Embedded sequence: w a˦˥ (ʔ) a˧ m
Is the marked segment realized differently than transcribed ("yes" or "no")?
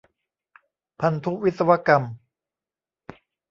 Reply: yes